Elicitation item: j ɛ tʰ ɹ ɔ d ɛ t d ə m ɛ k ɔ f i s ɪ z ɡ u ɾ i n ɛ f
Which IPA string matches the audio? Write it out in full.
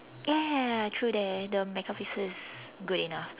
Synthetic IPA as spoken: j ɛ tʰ ɹ u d ɛ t d ə m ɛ k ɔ f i s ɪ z ɡ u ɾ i n a f